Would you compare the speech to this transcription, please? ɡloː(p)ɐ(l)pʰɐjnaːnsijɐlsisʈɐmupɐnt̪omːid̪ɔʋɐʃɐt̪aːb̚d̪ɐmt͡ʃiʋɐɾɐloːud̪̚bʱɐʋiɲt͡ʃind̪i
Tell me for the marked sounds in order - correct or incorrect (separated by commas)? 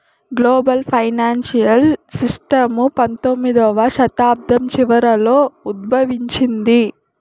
incorrect, correct